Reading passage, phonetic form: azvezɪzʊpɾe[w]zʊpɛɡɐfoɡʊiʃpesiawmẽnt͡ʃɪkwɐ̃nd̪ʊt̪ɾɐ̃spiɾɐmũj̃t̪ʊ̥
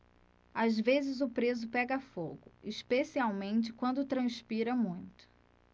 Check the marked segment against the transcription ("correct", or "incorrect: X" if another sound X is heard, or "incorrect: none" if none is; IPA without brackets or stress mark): incorrect: none